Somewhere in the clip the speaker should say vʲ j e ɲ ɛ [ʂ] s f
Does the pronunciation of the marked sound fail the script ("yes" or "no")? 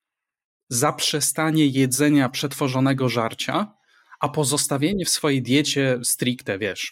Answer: yes